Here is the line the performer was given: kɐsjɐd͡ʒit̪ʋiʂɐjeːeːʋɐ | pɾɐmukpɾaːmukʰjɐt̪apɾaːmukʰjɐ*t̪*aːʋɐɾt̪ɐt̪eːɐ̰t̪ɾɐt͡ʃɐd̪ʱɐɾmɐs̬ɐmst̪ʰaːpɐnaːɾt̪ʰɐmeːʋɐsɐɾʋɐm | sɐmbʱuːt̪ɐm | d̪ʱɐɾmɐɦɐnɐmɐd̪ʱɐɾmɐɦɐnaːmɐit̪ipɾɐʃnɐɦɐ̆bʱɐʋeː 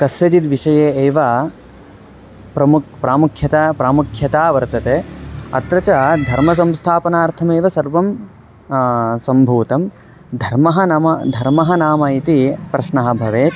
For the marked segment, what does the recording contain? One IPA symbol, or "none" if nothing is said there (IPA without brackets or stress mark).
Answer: t̪